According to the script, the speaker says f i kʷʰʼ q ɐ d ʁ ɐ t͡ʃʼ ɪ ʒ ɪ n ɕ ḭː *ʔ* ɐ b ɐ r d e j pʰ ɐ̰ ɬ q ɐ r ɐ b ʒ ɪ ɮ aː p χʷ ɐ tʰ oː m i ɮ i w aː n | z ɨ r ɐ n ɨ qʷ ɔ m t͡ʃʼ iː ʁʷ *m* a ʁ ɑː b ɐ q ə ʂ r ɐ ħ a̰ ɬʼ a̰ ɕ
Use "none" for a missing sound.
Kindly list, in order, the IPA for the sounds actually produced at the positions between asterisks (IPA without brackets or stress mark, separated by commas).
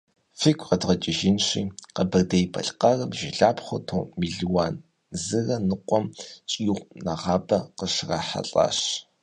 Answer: q, n